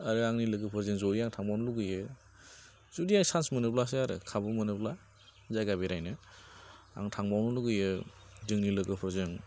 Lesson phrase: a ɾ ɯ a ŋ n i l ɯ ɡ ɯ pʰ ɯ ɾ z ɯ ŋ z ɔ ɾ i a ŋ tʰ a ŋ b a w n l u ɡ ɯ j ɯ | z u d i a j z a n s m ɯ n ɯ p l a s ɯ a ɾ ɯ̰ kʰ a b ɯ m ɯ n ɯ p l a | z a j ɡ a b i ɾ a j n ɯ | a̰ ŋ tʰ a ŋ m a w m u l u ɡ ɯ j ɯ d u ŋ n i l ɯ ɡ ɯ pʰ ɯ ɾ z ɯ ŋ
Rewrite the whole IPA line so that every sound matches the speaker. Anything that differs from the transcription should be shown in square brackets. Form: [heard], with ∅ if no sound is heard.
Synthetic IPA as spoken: a ɾ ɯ a ŋ n i l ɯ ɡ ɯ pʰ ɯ ɾ z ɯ ŋ z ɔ ɾ i a ŋ tʰ a ŋ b a w n l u ɡ ɯ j ɯ | z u d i a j [s] a n s m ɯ n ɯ p l a s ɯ a ɾ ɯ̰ kʰ a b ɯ m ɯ n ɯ p l a | z a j ɡ a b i ɾ a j n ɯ | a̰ ŋ tʰ a ŋ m a w [n] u l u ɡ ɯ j ɯ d [ɯ] ŋ n i l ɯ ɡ ɯ pʰ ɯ ɾ z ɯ ŋ